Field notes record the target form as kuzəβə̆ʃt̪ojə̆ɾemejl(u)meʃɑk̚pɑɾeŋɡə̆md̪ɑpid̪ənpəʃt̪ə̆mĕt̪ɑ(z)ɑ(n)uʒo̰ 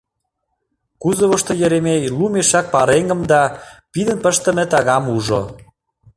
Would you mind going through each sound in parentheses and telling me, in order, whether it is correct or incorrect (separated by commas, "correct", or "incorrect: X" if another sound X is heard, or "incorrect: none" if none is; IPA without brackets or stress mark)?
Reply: correct, incorrect: ɣ, incorrect: m